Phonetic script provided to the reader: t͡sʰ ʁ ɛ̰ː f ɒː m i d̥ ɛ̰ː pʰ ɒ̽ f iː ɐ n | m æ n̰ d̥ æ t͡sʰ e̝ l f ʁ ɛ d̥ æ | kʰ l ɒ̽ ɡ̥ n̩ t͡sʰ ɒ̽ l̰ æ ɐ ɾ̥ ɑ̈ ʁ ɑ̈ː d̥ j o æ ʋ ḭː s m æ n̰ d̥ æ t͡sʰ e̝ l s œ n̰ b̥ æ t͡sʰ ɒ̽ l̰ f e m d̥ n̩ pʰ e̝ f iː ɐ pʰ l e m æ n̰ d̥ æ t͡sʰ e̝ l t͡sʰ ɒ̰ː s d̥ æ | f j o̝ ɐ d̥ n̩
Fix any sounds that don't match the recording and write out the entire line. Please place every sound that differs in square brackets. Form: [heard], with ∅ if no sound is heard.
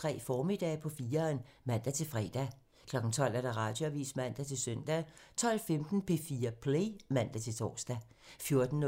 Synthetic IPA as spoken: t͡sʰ ʁ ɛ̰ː f ɒː m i d̥ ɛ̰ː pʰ ɒ̽ f iː ɐ n | m æ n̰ d̥ æ t͡sʰ e̝ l f ʁ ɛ d̥ æ | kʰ l ɒ̽ ɡ̥ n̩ t͡sʰ ɒ̽ l̰ æ ɐ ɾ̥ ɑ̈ ʁ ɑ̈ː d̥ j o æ ʋ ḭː s m æ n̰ d̥ æ t͡sʰ e̝ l s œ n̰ [d̥] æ t͡sʰ ɒ̽ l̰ f e m d̥ n̩ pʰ e̝ f iː ɐ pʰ l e m æ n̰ d̥ æ t͡sʰ e̝ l t͡sʰ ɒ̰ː s d̥ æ | f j o̝ ɐ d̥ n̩